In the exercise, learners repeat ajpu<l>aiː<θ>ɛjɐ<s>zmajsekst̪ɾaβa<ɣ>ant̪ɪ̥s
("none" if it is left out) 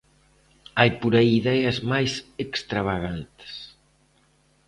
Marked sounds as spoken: ɾ, ð, none, ɣ

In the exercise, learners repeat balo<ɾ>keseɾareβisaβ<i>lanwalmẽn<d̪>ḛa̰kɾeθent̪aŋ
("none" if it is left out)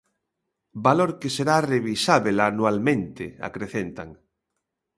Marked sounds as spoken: ɾ, e, t̪

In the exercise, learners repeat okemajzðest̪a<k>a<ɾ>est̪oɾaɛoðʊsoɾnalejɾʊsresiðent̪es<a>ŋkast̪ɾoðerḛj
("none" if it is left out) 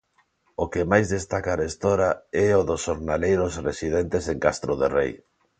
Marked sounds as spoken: k, ɾ, e

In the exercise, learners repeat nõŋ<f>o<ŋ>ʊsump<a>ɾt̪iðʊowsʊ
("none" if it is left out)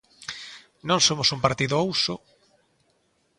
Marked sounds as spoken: s, m, a

